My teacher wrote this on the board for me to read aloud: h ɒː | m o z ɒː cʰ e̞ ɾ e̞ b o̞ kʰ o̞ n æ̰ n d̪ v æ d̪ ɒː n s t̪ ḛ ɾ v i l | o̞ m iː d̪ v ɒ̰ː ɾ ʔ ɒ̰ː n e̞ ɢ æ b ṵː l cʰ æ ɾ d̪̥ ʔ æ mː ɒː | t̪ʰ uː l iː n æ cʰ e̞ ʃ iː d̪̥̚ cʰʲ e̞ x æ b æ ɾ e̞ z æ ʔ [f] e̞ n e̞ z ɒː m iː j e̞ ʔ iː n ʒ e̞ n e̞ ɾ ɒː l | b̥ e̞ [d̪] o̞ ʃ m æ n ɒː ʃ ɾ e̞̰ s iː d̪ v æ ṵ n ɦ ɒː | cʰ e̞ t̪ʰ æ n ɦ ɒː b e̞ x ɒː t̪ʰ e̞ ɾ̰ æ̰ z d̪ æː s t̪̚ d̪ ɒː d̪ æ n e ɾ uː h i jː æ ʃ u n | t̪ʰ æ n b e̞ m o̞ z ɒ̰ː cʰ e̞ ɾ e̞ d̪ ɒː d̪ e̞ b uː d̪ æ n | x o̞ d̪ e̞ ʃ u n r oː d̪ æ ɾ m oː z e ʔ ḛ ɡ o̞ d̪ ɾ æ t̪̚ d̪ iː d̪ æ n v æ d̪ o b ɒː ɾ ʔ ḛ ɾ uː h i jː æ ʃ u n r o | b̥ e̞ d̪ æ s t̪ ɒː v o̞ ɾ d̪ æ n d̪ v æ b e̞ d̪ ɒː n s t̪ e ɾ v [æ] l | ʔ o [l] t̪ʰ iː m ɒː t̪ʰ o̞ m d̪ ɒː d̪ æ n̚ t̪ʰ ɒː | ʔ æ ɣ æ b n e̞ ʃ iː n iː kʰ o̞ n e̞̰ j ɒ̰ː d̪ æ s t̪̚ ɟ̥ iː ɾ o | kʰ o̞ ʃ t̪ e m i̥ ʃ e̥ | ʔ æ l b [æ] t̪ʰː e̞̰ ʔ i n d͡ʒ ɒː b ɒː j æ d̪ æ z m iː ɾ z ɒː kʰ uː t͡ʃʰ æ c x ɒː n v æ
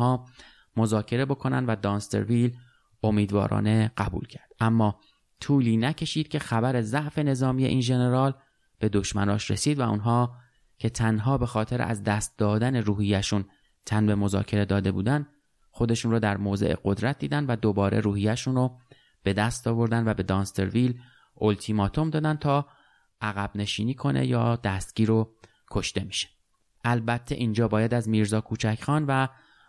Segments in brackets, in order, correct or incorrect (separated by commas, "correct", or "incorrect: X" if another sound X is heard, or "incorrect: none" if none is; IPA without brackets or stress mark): correct, correct, incorrect: i, correct, correct